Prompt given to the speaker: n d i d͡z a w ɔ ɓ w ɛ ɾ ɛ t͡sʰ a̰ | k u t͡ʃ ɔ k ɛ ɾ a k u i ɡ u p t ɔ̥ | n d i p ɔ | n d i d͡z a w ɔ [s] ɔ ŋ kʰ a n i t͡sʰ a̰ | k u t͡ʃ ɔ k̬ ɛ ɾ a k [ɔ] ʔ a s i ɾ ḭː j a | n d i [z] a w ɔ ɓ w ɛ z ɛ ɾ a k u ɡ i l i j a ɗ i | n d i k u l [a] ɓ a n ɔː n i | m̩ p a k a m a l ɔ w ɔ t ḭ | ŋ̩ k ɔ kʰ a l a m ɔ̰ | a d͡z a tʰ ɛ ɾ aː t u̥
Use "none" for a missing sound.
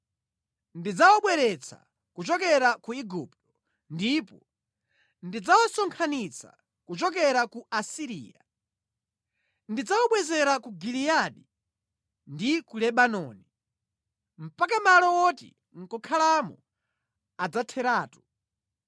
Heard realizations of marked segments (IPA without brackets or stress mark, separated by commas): s, u, d͡z, ɛ